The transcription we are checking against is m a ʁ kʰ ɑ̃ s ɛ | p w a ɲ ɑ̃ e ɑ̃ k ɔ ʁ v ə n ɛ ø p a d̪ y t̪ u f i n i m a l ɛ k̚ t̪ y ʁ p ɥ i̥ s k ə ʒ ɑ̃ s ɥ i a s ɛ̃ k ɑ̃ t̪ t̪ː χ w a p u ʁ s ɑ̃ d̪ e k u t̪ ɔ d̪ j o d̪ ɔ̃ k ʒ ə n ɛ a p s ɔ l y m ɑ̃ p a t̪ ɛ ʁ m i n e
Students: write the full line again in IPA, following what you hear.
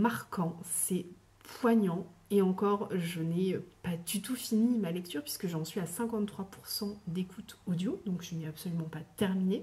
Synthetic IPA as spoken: m a ʁ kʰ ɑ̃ s ɛ | p w a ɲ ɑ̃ e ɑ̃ k ɔ ʁ ʒ ə n ɛ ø p a d̪ y t̪ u f i n i m a l ɛ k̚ t̪ y ʁ p ɥ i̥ s k ə ʒ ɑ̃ s ɥ i a s ɛ̃ k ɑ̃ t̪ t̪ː χ w a p u ʁ s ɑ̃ d̪ e k u t̪ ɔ d̪ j o d̪ ɔ̃ k ʒ ə n ɛ a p s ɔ l y m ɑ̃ p a t̪ ɛ ʁ m i n e